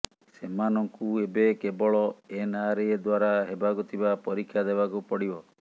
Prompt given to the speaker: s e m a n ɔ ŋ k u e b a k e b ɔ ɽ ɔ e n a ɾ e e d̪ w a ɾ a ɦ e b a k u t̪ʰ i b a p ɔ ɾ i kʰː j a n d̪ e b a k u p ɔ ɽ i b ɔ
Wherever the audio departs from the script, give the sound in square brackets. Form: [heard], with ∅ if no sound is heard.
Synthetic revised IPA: s e m a n ɔ ŋ k u e b [e] k e b ɔ [ɭ] ɔ e n a ɾ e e d̪ w a ɾ a ɦ e b a k u t̪ʰ i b a p ɔ ɾ i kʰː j a [∅] d̪ e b a k u p ɔ ɽ i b ɔ